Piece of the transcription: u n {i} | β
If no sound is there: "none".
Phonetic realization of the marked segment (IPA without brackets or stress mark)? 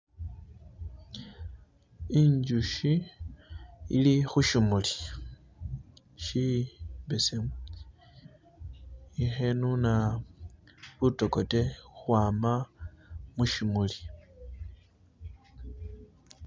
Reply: a